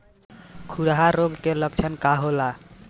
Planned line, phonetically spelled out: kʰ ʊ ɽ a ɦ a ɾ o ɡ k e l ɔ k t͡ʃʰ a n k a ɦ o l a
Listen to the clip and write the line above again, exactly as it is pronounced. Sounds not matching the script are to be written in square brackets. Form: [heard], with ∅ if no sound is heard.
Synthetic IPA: kʰ [u] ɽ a ɦ a ɾ o ɡ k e l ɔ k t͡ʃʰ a n k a ɦ o l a